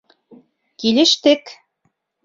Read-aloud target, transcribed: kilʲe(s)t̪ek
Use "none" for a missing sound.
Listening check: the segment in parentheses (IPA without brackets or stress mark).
ʃ